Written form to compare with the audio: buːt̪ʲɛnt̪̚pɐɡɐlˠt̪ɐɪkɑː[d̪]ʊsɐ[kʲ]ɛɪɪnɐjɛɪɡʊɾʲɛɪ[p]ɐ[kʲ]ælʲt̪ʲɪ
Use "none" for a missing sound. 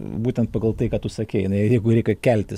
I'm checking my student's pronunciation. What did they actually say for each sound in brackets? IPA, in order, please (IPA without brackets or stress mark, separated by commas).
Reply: t̪, kʲ, k, kʲ